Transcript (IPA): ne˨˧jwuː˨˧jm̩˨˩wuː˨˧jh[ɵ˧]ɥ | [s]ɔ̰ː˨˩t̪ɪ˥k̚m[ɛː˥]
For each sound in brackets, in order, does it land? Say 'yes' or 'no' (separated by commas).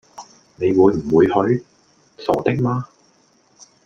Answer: no, yes, no